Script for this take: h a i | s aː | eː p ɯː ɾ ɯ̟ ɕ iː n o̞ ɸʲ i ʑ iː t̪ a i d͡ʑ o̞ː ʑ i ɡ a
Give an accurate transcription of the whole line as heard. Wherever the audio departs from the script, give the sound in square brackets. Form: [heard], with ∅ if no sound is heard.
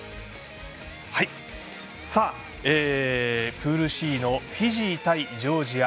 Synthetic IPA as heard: h a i | s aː | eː p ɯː ɾ ɯ̟ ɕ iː n o̞ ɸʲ i ʑ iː t̪ a i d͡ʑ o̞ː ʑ i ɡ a

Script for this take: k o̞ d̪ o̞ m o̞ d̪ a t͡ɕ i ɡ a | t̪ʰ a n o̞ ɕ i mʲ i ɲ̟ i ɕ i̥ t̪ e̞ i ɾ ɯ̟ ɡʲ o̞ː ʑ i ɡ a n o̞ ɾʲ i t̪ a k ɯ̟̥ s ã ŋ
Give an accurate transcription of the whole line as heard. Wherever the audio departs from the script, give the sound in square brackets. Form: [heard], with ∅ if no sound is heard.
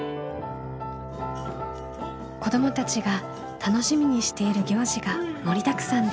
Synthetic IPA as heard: k o̞ d̪ o̞ m o̞ [t̪] a t͡ɕ i ɡ a | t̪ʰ a n o̞ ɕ i mʲ i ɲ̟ i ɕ i̥ t̪ e̞ i ɾ ɯ̟ ɡʲ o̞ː ʑ i ɡ a [m] o̞ ɾʲ i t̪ a k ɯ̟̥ s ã [n]

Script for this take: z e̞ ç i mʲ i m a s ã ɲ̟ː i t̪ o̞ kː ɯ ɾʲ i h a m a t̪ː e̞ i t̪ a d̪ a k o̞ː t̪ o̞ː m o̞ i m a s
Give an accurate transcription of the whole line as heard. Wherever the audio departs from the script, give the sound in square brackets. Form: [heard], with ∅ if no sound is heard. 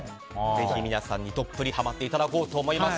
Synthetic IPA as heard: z e̞ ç i mʲ i [n] a s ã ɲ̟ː i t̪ o̞ [pː] ɯ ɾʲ i h a m a t̪ː e̞ i t̪ a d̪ a k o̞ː t̪ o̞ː m o̞ i m a s

